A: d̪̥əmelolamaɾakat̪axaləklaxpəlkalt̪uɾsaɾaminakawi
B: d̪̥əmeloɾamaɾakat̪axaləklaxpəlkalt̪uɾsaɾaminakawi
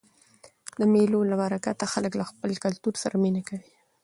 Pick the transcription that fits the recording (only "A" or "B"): A